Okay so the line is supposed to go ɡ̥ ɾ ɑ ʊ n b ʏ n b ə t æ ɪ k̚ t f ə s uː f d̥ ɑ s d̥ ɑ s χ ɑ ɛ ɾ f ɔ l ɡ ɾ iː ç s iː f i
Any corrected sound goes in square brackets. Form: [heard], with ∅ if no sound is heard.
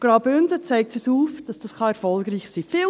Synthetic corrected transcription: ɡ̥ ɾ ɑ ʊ [∅] b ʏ n [d] ə [t͡s] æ ɪ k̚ t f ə s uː f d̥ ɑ s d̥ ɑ s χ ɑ ɛ ɾ f ɔ l ɡ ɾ iː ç s iː f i